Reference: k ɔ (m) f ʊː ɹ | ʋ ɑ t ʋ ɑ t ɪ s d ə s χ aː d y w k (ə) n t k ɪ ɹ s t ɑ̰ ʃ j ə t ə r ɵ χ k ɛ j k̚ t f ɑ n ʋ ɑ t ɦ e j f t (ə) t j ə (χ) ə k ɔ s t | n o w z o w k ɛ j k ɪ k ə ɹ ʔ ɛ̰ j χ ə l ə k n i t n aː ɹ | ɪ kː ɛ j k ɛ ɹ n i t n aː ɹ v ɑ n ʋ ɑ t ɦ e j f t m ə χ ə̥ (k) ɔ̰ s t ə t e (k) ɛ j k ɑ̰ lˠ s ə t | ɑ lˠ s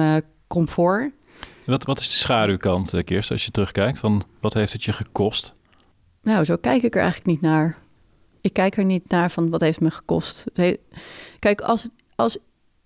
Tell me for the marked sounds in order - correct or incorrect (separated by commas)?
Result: correct, incorrect, correct, correct, correct, correct